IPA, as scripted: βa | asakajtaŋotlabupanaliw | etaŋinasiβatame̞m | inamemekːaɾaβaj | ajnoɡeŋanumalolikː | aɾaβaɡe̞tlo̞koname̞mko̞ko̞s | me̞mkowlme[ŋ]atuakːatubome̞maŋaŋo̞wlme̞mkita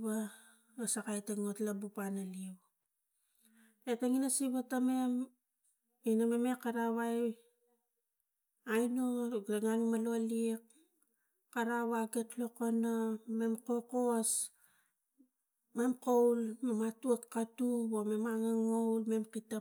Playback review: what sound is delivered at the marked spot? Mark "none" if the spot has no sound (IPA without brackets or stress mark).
m